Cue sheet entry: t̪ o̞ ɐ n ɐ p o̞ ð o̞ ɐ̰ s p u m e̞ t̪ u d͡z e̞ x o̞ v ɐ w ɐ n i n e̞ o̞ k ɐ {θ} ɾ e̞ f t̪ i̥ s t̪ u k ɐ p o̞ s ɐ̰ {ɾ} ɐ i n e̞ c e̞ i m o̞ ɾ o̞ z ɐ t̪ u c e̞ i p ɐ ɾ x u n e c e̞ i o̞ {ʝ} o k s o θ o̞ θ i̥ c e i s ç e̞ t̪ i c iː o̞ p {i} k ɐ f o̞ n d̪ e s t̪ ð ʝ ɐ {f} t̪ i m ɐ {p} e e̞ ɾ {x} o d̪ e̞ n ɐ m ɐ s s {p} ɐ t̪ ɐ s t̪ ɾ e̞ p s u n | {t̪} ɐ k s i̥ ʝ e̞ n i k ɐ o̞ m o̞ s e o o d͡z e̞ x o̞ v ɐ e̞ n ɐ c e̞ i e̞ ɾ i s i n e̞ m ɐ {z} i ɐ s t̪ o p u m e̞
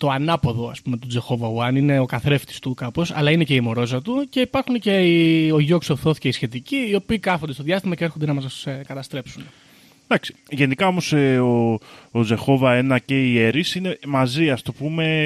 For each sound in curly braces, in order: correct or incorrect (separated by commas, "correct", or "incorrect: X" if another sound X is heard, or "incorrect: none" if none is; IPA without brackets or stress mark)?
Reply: correct, incorrect: l, correct, incorrect: iː, incorrect: s, incorrect: c, correct, incorrect: k, incorrect: d̪, correct